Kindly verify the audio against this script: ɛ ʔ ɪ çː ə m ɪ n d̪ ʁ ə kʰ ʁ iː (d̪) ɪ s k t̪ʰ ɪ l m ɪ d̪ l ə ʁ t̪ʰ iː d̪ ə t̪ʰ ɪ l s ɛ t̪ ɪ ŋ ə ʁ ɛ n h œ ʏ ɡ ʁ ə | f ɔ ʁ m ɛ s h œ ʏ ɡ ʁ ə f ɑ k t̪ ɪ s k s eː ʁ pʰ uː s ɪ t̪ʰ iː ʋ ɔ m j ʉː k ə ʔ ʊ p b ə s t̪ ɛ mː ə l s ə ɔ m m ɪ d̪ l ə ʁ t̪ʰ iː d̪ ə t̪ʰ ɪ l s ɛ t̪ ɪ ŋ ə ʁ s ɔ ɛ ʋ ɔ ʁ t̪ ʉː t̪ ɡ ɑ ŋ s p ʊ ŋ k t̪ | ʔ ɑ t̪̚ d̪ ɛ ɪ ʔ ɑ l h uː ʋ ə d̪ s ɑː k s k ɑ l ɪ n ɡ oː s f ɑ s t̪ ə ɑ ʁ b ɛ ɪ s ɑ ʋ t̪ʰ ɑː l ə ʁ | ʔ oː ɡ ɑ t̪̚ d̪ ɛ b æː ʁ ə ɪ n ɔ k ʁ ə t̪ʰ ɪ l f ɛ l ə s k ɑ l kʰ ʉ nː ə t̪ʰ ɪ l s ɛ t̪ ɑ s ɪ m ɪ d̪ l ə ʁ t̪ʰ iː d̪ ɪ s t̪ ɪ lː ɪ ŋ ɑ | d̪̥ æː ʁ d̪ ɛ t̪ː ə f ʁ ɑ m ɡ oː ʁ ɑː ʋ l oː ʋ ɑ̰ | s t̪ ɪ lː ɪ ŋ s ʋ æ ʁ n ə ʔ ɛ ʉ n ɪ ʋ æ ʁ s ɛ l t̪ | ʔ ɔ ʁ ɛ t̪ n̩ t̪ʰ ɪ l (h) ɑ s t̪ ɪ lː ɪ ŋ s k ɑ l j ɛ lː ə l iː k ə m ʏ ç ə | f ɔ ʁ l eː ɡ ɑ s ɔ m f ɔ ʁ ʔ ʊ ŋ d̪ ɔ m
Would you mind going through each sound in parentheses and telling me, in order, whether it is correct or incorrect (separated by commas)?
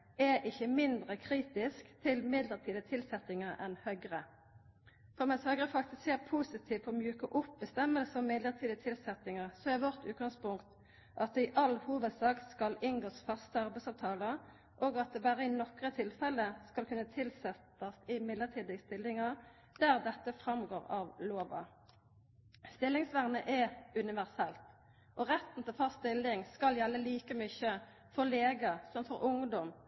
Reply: incorrect, incorrect